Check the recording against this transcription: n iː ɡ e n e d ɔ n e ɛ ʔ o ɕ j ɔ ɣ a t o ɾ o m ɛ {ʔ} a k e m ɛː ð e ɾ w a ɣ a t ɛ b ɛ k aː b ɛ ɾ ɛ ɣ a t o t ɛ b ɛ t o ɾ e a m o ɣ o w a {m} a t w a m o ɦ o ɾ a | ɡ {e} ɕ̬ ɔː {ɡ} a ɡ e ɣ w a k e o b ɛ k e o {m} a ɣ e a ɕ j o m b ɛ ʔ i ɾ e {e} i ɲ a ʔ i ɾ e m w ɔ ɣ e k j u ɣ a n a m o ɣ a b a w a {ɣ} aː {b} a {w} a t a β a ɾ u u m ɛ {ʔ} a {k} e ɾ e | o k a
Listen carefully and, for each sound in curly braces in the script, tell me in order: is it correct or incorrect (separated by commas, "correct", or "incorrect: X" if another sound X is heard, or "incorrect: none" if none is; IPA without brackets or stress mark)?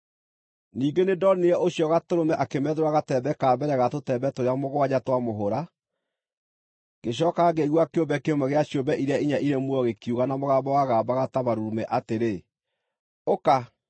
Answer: correct, incorrect: ɲ, correct, incorrect: k, correct, incorrect: a, correct, correct, incorrect: ɣ, correct, incorrect: t